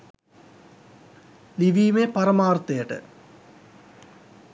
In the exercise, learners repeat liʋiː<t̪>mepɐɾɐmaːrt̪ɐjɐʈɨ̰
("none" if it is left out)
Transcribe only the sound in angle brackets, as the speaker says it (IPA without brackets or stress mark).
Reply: none